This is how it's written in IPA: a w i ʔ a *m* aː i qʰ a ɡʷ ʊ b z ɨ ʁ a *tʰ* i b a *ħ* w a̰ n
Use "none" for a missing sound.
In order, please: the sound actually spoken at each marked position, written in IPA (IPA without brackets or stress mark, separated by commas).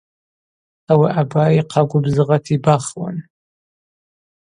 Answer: b, tʰ, χ